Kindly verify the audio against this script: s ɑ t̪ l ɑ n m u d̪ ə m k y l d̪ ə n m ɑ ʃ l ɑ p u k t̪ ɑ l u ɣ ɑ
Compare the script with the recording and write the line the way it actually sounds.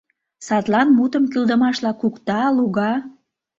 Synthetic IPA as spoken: s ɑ t̪ l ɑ n m u t̪ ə m k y l d̪ ə m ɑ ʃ l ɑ k u k t̪ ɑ l u ɣ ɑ

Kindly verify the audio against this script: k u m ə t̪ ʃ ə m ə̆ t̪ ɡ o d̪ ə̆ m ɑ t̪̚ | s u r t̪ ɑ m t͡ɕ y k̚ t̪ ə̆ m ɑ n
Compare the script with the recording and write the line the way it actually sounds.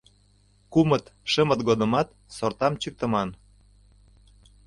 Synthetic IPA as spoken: k u m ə t̪ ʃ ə m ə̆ t̪ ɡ o d̪ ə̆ m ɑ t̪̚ | s o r t̪ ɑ m t͡ɕ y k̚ t̪ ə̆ m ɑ n

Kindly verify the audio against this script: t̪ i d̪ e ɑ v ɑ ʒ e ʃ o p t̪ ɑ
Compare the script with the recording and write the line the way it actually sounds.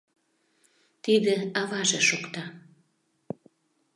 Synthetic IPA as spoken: t̪ i d̪ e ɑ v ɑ ʒ e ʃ o k t̪ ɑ

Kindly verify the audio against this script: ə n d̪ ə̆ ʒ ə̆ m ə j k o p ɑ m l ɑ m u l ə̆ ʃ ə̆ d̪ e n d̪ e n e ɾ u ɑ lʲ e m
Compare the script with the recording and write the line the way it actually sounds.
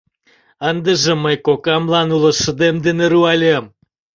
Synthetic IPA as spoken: ə n d̪ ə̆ ʒ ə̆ m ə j k o k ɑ m l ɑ n u l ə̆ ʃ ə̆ d̪ e m d̪ e n e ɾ u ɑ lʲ e m

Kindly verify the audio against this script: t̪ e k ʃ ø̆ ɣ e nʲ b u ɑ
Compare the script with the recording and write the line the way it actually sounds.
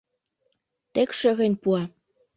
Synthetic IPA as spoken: t̪ e k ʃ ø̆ ɣ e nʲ p u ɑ

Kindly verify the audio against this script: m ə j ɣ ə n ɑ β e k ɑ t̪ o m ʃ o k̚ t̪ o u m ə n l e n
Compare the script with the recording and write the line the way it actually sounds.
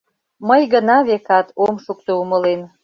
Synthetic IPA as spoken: m ə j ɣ ə n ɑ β e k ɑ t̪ o m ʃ u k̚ t̪ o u m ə l e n

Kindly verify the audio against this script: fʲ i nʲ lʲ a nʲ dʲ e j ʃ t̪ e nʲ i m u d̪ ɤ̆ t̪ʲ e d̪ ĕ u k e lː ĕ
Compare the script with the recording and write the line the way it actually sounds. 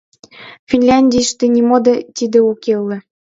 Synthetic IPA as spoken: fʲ i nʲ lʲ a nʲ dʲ i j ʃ t̪ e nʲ i m o d̪ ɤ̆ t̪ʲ i d̪ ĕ u k e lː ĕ

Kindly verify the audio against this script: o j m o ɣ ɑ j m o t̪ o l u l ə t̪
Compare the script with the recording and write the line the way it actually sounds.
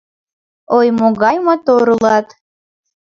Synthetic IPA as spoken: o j m o ɣ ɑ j m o t̪ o ɾ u l ɑ t̪

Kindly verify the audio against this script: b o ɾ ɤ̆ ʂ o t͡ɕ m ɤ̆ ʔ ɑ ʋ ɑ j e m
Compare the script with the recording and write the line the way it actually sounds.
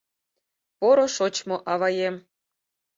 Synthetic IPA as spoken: p o ɾ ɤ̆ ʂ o t͡ɕ m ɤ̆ ʔ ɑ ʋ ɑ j e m

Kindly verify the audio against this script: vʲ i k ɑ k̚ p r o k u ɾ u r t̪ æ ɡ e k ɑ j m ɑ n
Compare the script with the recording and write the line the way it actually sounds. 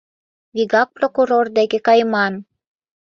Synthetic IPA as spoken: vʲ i ɡ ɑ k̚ p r o k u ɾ o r d̪ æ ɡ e k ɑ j m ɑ n

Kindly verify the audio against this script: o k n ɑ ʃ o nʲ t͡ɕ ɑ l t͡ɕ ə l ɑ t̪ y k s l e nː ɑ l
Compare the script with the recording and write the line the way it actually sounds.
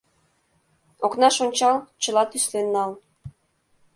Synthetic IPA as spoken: o k n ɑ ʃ o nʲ t͡ɕ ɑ l t͡ɕ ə l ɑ t̪ y s l e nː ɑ l

